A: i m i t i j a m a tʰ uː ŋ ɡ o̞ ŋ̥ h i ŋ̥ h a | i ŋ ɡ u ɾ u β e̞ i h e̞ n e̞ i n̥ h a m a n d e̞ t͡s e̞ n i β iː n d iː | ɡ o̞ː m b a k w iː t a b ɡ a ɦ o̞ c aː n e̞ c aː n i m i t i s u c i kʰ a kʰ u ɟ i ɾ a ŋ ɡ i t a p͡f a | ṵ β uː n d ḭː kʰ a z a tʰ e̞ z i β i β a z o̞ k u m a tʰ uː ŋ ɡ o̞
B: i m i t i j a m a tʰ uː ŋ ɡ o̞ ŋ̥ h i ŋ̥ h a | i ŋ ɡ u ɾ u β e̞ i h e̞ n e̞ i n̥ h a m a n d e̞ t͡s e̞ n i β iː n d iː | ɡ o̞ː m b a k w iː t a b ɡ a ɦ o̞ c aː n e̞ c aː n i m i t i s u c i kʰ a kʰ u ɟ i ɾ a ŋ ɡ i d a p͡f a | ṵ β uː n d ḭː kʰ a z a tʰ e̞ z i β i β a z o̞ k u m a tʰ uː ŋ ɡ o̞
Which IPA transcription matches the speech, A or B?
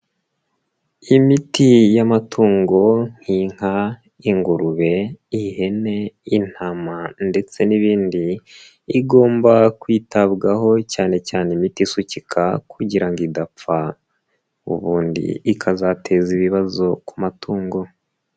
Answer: B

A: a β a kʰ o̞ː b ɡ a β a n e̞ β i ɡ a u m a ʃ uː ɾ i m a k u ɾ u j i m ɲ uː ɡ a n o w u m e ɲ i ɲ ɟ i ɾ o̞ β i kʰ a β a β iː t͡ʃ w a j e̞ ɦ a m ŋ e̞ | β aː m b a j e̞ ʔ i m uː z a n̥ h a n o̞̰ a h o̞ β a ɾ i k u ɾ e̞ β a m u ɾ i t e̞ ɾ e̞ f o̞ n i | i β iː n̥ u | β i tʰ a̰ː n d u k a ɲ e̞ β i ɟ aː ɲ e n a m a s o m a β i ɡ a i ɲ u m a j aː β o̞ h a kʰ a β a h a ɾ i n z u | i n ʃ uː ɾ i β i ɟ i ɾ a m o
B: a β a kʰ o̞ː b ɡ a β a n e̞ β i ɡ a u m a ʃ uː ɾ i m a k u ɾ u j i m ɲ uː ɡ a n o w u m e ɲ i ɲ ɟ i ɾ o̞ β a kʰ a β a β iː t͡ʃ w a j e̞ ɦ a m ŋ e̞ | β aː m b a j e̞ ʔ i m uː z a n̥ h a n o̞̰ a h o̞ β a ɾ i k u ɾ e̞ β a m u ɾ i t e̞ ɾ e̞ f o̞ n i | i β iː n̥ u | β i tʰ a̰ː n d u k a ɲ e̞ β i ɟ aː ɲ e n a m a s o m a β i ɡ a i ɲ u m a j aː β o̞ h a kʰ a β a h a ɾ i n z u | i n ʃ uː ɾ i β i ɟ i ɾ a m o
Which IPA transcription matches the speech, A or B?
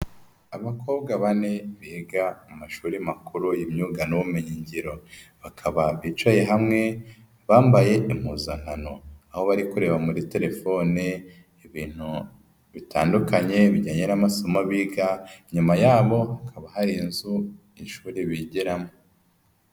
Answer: B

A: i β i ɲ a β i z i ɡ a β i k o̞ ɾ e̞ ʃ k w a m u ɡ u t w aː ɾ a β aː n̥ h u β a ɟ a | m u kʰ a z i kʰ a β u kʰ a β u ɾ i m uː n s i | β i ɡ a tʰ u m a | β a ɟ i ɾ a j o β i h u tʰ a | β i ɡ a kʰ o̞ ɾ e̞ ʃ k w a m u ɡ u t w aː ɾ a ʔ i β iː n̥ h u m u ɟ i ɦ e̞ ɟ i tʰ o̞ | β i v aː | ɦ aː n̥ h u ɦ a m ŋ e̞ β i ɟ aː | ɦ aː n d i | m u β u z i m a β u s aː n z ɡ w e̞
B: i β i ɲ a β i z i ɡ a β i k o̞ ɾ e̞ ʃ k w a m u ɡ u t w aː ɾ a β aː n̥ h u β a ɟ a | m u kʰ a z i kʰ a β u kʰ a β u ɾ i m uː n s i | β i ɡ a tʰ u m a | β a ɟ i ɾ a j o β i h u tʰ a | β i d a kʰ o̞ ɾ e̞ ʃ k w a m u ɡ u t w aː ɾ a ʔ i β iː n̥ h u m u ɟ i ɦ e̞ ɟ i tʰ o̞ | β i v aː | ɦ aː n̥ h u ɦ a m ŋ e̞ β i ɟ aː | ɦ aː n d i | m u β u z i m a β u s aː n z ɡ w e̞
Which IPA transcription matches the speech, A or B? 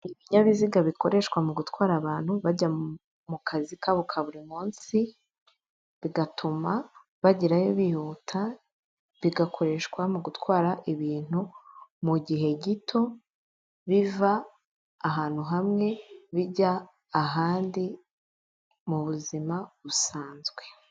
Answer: A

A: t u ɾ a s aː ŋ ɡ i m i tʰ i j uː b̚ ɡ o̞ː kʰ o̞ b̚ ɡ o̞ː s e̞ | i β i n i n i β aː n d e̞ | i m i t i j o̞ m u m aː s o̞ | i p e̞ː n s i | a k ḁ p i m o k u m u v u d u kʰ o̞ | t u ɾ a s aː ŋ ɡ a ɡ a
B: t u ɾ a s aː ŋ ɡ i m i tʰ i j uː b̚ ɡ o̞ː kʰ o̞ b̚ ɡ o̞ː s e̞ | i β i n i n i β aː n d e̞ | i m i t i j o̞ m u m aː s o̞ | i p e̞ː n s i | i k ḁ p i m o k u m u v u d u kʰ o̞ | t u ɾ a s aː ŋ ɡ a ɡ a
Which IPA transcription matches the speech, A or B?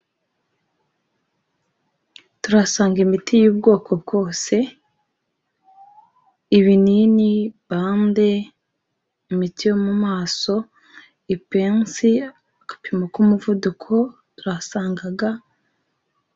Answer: A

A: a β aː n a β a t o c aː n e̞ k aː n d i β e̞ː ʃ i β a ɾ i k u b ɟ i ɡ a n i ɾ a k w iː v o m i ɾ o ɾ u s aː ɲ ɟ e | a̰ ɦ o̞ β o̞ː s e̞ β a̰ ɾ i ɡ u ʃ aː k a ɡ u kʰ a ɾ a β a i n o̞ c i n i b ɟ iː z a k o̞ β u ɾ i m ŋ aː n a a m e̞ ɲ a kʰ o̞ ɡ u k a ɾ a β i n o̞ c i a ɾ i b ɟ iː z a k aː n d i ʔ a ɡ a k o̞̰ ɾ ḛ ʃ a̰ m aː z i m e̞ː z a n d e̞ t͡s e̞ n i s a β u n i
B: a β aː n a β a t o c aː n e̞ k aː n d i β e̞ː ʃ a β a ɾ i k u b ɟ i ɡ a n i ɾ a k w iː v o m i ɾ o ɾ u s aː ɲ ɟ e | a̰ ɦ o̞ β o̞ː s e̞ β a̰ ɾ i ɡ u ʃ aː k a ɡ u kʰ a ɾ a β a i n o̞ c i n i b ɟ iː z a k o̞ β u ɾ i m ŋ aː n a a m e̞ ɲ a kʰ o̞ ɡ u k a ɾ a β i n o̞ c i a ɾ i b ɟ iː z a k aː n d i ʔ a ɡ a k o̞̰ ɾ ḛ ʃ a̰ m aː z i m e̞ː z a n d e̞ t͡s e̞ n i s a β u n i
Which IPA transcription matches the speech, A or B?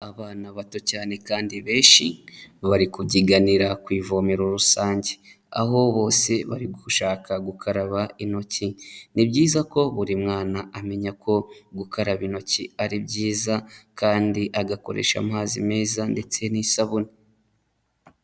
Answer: A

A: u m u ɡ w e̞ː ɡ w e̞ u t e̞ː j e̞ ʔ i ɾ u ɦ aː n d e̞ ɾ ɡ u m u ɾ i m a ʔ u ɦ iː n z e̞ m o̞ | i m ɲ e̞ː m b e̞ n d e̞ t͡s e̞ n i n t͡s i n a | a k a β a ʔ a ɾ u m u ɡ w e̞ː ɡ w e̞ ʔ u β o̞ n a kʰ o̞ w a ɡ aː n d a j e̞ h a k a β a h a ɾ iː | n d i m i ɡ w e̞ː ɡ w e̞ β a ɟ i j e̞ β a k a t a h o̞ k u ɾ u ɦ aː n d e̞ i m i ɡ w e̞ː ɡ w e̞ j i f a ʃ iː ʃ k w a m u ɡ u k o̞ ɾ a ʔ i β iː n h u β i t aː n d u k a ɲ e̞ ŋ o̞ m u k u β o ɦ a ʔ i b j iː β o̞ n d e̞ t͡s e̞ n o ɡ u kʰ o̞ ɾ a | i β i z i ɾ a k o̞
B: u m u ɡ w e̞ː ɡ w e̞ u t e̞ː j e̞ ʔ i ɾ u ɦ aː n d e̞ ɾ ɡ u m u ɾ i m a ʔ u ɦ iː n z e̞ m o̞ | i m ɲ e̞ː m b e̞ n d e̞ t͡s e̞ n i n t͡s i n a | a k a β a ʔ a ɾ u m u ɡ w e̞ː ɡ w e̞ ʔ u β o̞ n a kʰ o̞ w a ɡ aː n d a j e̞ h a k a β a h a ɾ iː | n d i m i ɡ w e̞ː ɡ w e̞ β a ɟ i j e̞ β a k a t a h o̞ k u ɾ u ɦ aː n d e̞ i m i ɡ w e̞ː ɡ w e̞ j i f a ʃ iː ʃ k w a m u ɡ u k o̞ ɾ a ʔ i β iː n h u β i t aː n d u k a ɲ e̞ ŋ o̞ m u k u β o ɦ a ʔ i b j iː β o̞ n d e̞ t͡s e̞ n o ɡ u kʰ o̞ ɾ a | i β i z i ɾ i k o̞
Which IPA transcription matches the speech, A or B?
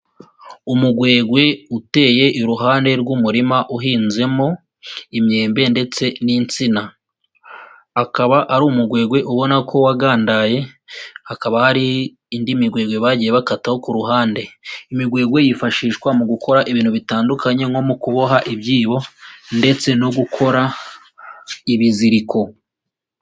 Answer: B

